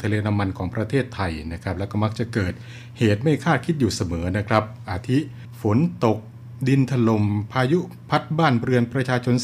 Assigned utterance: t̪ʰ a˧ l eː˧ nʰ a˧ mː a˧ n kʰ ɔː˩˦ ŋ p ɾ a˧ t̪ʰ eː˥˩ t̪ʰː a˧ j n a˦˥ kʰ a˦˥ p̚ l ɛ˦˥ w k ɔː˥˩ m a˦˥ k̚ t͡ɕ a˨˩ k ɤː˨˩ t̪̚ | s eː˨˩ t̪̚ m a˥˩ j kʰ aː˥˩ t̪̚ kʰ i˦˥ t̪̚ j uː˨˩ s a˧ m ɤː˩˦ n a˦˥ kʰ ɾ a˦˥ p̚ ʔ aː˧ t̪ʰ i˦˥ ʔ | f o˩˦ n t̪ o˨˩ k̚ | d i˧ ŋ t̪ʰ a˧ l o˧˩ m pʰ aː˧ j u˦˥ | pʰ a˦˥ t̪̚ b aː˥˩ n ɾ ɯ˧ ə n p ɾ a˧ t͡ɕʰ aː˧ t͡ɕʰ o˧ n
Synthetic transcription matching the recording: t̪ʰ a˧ l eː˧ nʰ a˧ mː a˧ n kʰ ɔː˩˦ ŋ p ɾ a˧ t̪ʰ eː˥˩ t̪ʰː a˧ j n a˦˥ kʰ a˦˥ p̚ l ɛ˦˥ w k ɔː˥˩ m a˦˥ k̚ t͡ɕ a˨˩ k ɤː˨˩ t̪̚ | h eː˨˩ t̪̚ m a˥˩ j kʰ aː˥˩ t̪̚ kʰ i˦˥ t̪̚ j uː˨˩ s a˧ m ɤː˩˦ n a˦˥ kʰ ɾ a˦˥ p̚ ʔ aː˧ t̪ʰ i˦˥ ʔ | f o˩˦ n t̪ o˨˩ k̚ | d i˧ n t̪ʰ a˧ l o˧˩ m pʰ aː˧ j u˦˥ | pʰ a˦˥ t̪̚ b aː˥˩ n ɾ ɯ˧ ə n p ɾ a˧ t͡ɕʰ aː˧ t͡ɕʰ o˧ n